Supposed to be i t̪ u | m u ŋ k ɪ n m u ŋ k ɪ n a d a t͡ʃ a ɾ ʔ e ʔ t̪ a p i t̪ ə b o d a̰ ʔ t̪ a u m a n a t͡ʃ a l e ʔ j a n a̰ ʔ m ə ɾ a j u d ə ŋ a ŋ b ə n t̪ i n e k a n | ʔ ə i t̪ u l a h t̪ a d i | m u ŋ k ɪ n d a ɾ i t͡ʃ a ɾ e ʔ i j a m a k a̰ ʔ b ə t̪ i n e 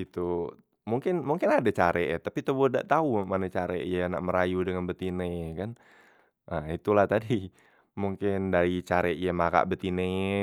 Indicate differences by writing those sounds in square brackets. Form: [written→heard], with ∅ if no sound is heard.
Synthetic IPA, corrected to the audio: i t̪ u | m u ŋ k ɪ n m u ŋ k ɪ n a d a t͡ʃ a ɾ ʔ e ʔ t̪ a p i t̪ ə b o d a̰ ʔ t̪ a u m a n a t͡ʃ a [l→ɾ] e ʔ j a n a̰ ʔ m ə ɾ a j u d ə ŋ a [ŋ→n] b ə [n→∅] t̪ i n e k a n | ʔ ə i t̪ u l a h t̪ a d i | m u ŋ k ɪ n d a ɾ i t͡ʃ a ɾ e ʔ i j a m a k a̰ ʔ b ə t̪ i n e